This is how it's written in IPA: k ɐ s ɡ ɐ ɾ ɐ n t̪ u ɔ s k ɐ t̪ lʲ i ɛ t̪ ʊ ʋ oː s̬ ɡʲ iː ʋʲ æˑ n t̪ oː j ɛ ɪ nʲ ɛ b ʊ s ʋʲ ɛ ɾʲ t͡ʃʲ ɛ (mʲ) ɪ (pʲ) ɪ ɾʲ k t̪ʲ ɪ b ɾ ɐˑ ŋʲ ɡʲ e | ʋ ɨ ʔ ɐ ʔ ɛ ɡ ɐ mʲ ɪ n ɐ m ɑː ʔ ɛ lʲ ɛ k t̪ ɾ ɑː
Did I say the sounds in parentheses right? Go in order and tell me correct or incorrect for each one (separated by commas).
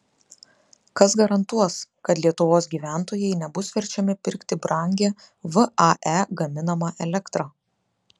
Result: correct, correct